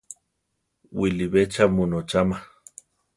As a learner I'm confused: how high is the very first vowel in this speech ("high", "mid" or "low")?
high